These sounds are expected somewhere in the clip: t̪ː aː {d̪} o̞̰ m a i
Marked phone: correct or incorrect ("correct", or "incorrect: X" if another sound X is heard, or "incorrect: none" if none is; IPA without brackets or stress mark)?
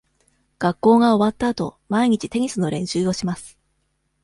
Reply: incorrect: t̪